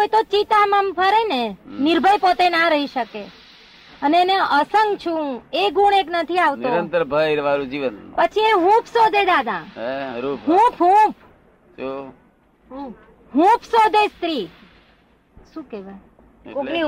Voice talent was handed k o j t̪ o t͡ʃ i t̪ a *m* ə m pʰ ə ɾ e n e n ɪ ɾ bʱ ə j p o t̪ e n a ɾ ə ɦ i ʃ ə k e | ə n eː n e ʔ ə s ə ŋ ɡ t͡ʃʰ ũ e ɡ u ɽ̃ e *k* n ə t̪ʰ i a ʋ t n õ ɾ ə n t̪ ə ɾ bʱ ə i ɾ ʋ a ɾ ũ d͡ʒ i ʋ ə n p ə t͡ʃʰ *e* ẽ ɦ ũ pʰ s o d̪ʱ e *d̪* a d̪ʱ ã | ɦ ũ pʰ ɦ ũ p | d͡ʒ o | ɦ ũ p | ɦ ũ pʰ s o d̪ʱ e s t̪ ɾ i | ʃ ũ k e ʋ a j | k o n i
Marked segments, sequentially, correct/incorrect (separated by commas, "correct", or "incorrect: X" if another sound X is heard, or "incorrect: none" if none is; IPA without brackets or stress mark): correct, correct, incorrect: i, correct